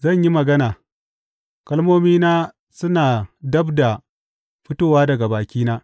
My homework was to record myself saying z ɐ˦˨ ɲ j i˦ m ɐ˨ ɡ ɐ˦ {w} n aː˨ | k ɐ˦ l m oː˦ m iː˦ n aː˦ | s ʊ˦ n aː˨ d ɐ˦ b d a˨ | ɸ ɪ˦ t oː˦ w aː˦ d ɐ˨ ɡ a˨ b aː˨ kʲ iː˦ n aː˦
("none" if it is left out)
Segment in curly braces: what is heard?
none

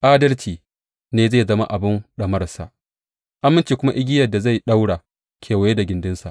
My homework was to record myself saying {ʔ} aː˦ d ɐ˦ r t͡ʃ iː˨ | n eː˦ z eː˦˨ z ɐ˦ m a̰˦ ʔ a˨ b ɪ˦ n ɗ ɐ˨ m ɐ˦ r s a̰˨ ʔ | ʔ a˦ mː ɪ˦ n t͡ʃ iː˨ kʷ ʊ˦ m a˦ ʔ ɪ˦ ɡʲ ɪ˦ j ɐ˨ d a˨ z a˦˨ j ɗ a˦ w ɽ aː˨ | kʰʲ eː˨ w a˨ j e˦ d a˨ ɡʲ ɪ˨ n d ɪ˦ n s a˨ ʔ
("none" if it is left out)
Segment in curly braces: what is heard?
ʔ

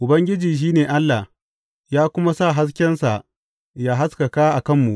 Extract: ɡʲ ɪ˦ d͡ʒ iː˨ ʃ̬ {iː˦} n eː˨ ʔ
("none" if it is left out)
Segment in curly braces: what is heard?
iː˦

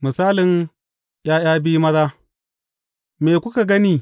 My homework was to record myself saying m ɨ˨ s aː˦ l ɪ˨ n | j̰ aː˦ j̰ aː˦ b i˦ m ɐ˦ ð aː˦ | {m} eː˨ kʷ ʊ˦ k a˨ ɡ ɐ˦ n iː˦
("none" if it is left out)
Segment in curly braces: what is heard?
m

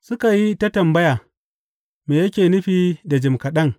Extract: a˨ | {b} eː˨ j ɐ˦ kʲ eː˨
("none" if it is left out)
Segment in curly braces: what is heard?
m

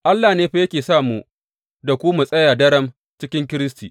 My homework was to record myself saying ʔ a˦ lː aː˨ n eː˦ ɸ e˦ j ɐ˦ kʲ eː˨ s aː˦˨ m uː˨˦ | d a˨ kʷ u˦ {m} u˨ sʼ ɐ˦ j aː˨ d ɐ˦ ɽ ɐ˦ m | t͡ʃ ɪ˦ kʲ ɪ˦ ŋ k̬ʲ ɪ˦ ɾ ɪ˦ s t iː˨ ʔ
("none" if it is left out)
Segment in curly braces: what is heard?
m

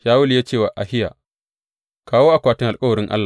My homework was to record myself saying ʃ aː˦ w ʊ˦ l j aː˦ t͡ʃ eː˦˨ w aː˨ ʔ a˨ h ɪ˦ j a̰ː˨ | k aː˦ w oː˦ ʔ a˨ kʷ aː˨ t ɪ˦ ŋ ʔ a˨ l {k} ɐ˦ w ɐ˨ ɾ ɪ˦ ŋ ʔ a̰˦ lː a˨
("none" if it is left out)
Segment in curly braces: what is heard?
kʼ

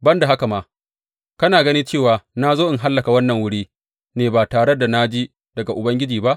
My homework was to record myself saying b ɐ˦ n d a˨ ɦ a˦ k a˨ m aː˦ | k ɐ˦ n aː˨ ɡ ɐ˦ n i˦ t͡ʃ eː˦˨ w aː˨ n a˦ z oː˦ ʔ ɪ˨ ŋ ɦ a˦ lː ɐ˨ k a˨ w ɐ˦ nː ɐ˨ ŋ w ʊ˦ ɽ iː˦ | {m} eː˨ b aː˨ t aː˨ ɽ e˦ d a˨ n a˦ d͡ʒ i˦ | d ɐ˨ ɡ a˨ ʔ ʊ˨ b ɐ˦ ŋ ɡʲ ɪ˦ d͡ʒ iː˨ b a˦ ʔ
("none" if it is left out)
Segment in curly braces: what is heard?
n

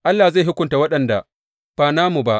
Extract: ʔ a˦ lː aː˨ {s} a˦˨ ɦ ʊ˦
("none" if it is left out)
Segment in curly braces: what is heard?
z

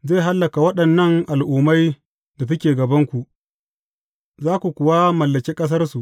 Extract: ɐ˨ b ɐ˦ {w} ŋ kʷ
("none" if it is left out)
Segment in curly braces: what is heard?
none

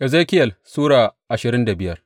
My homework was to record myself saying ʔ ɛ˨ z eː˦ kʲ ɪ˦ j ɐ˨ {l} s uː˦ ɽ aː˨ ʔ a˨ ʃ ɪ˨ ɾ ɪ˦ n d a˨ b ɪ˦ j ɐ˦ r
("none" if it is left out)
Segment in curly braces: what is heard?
l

